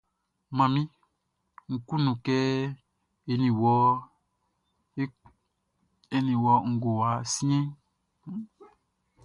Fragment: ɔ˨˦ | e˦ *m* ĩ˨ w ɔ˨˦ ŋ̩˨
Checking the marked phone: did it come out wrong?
yes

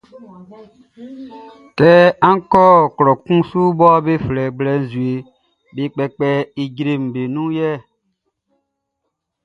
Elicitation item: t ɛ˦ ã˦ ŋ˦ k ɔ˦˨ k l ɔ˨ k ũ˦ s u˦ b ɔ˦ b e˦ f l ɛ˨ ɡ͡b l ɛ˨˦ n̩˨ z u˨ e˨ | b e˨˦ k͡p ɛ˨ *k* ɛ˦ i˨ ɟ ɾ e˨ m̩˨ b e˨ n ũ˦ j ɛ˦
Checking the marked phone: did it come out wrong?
yes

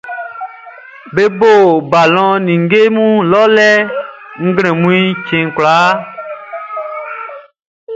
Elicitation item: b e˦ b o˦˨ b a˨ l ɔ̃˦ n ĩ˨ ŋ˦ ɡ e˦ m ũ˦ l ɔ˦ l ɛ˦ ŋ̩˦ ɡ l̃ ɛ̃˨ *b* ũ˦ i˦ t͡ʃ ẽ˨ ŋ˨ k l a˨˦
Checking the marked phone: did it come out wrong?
yes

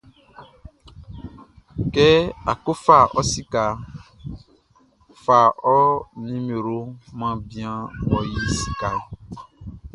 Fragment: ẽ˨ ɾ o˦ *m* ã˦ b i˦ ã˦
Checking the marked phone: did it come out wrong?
no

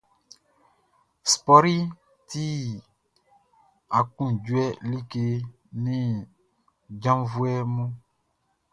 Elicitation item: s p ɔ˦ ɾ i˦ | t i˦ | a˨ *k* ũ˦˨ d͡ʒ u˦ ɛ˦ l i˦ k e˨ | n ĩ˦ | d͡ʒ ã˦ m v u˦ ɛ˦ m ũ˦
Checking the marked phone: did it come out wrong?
no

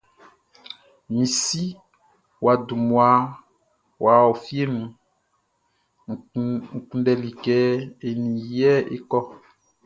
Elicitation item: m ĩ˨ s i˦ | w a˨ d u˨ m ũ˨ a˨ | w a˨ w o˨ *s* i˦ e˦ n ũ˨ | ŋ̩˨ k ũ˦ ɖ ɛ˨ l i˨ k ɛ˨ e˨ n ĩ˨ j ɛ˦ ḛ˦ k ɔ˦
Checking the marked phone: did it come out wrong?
yes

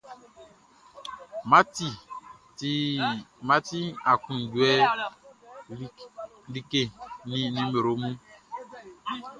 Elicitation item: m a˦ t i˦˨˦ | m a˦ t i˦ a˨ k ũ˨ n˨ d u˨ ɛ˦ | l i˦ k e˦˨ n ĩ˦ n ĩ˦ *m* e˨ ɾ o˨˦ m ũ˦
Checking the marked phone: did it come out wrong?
no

